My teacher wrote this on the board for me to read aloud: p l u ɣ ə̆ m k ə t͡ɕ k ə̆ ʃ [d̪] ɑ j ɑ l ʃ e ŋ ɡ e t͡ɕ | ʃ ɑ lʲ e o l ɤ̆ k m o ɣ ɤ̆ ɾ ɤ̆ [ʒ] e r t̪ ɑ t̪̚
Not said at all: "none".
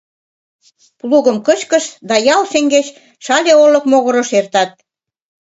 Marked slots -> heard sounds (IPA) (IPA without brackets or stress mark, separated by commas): d̪, ʃ